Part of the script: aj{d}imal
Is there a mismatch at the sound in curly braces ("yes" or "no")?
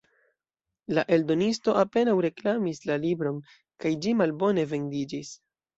yes